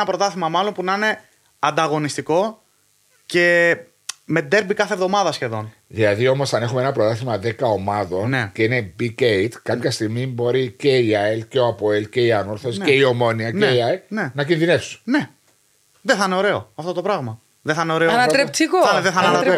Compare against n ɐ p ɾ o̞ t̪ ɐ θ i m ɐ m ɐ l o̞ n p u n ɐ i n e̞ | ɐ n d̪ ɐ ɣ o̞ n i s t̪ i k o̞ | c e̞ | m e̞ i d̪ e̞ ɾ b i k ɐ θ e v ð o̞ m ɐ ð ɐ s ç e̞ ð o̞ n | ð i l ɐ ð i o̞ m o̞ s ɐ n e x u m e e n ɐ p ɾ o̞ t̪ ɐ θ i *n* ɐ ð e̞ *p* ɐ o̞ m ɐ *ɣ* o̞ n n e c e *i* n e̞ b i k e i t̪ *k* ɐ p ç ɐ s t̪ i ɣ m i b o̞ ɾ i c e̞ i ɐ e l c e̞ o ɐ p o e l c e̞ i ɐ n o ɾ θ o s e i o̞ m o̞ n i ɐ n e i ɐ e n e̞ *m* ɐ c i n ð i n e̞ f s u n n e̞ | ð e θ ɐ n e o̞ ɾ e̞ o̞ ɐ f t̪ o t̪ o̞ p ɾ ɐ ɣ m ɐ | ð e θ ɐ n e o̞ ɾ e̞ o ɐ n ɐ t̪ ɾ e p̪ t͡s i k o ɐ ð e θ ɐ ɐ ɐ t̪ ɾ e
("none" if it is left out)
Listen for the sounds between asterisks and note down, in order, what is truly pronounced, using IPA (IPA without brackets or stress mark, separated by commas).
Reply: m, k, ð, i, k, n